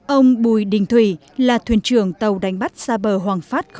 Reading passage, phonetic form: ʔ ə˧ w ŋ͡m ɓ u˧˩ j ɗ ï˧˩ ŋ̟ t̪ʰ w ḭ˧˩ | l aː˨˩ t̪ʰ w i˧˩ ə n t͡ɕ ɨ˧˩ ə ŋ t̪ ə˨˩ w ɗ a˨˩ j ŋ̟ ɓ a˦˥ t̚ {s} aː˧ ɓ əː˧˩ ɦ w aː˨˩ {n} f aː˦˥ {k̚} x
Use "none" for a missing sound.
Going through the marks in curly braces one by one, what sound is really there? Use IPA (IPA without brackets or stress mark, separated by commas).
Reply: s, ŋ, t̚